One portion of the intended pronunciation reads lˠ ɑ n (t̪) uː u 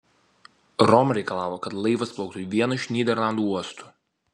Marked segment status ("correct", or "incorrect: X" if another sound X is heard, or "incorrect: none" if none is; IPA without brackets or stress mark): incorrect: d̪